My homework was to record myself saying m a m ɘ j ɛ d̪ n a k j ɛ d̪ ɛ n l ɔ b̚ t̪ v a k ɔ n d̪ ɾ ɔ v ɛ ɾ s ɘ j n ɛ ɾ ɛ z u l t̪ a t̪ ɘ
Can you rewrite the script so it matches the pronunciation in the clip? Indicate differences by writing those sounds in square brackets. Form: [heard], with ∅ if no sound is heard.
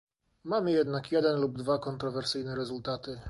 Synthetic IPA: m a m ɘ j ɛ d̪ n a k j ɛ d̪ ɛ n l [u] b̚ [d̪] v a k ɔ n [t̪] ɾ ɔ v ɛ ɾ s ɘ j n ɛ ɾ ɛ z u l t̪ a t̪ ɘ